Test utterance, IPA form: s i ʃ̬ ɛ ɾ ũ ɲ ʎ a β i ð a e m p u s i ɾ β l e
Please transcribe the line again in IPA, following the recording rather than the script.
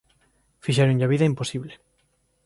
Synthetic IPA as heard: f i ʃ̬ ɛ ɾ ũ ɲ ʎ a β i ð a i m p o s i β l e

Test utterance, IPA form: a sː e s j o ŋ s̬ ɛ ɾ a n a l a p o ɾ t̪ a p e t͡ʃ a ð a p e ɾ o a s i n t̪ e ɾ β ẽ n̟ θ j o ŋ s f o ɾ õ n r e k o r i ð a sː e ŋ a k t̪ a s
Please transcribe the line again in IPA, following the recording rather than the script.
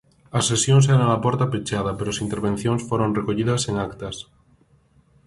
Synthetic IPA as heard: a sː e s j o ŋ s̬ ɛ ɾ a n a l a p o ɾ t̪ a p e t͡ʃ a ð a p e ɾ o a s i n t̪ e ɾ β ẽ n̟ θ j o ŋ s f o ɾ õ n r e k o ʎ i ð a s e ŋ a k t̪ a s

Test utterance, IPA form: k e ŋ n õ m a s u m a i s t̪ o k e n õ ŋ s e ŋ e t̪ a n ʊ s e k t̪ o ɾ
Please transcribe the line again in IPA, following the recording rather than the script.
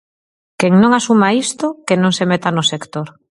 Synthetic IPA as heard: k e ŋ n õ ŋ a s u m a i s t̪ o k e n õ ŋ s e m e t̪ a n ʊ s e k t̪ o ɾ

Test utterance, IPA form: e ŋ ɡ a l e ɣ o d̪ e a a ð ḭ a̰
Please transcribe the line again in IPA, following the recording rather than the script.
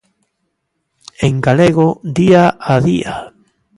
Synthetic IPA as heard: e ŋ ɡ a l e ɣ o d̪ i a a ð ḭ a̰

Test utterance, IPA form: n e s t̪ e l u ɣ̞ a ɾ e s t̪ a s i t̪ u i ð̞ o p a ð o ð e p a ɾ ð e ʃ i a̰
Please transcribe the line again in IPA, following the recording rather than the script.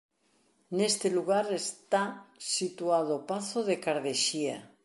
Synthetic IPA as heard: n e s t̪ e l u ɣ̞ a ɾ e s t̪ a s i t̪ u a ð̞ o p a θ o ð e k a ɾ ð e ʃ i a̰

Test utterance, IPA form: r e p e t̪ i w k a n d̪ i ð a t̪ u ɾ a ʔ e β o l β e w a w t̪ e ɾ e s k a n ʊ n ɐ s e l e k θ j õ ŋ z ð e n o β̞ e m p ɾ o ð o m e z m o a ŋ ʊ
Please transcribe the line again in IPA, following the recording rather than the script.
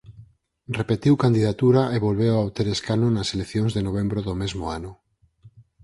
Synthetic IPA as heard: r e p e t̪ i w k a n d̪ i ð a t̪ u ɾ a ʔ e β o l β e w a w t̪ e ɾ e s k a n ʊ n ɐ s e l e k θ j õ ŋ z ð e n o β̞ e m b ɾ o ð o m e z m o a n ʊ

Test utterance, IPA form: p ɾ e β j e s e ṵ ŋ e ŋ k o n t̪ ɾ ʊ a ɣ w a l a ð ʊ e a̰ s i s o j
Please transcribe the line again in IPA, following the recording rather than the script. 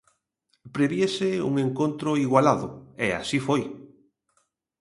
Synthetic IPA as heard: p ɾ e β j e s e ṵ ŋ e ŋ k o n t̪ ɾ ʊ i ɣ w a l a ð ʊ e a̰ s i f o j

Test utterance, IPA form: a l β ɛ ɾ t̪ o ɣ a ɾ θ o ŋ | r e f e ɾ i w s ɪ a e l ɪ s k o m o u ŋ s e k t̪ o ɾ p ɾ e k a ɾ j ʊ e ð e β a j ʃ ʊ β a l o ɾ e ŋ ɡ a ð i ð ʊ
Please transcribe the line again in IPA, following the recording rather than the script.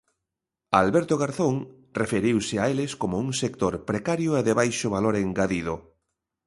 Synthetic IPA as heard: a l β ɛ ɾ t̪ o ɣ a ɾ θ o ŋ | r e f e ɾ i w s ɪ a e l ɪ s k o m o u ŋ s e k t̪ o ɾ p ɾ e k a ɾ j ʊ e ð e β a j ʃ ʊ β a l o ɾ e ŋ ɡ a ð i ð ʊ

